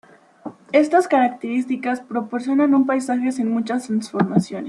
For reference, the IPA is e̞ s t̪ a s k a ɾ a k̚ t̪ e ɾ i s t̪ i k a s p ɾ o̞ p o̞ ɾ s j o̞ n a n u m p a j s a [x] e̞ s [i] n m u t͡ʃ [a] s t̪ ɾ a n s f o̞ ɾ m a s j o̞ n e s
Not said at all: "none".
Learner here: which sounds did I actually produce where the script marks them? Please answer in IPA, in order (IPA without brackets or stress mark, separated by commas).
x, i, a